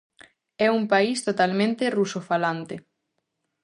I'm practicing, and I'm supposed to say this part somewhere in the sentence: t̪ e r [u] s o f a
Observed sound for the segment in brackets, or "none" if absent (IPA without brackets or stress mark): u